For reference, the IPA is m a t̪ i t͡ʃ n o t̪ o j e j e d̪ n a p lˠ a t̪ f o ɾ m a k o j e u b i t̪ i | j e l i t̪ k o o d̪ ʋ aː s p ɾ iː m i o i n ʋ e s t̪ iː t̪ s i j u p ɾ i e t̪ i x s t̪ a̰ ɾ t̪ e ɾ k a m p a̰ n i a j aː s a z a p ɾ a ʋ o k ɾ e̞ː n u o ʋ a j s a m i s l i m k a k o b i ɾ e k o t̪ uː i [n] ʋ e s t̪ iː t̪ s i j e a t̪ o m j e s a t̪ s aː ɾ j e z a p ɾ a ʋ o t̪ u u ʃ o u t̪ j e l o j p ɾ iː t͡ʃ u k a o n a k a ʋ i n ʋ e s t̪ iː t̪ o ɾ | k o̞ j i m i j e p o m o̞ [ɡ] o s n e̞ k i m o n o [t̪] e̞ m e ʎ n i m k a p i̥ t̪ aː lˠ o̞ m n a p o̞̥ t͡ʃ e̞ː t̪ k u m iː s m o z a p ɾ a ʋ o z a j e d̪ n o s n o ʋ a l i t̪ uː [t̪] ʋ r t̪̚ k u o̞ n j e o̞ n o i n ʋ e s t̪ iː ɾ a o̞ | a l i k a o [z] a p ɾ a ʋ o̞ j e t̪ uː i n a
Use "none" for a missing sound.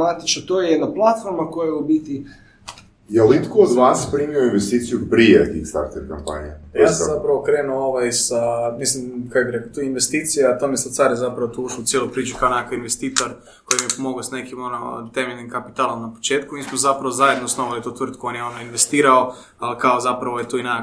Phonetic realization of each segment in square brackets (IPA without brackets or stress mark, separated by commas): n, ɡ, t̪, t̪, z